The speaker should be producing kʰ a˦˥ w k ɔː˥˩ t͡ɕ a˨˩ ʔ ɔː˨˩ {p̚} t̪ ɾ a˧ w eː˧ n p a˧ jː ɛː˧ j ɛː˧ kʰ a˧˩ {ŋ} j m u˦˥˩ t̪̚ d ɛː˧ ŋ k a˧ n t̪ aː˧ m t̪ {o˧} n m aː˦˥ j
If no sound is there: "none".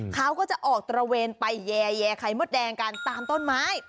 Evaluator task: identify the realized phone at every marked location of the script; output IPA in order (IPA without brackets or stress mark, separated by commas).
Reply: k̚, none, o˥˩